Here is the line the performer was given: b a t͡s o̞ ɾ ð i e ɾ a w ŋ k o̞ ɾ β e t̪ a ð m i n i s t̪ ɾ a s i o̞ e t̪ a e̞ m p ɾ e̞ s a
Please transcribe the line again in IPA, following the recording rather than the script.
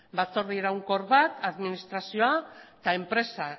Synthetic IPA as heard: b a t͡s o̞ ɾ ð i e ɾ a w ŋ k o̞ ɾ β a t̪ a ð m i n i s t̪ ɾ a s i o̞ a t̪ a e̞ m p ɾ e̞ s a